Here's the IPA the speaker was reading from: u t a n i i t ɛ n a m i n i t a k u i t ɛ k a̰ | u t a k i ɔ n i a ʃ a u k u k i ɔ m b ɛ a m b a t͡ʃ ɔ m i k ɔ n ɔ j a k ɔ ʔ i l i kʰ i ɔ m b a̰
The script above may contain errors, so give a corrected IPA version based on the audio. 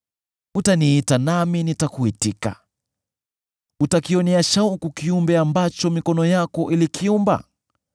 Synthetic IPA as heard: u t a n i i t a n a m i n i t a k u i t i k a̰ | u t a k i ɔ n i a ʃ a u k u k i u m b ɛ a m b a t͡ʃ ɔ m i k ɔ n ɔ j a k ɔ ʔ i l i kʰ i u m b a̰